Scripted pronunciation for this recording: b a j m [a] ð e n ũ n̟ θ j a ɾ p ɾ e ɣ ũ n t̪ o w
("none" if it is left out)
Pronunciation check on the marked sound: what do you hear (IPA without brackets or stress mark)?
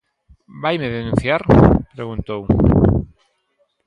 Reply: e